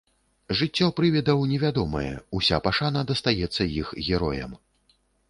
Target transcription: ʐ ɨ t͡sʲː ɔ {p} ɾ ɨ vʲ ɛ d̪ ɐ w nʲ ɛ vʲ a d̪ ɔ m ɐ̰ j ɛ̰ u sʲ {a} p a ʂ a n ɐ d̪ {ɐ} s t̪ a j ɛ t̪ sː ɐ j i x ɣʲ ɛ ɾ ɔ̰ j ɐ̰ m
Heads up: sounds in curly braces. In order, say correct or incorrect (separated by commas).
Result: correct, correct, correct